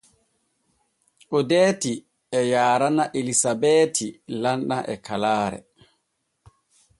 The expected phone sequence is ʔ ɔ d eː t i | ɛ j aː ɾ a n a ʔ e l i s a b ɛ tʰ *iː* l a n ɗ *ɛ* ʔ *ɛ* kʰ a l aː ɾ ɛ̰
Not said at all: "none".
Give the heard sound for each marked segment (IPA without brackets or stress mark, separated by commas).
i, a, ɛ